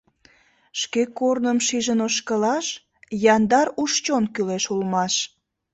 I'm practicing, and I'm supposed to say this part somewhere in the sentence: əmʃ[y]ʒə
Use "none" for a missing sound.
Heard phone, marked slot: i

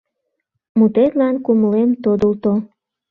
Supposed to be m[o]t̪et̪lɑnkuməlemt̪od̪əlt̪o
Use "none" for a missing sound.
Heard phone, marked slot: u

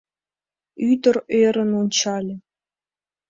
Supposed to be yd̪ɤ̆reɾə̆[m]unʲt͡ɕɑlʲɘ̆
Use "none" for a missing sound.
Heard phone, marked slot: n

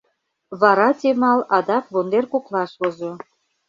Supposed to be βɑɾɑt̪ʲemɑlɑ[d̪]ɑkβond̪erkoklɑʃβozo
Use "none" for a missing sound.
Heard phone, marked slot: d̪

